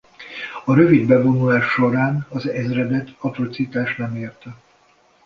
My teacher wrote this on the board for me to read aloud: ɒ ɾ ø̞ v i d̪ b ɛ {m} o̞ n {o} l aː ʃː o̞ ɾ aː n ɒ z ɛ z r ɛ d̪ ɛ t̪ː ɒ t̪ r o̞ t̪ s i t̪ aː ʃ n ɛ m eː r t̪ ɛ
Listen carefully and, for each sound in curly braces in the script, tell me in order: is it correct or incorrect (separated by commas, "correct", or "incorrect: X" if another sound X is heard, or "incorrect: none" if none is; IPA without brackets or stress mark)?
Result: incorrect: b, incorrect: u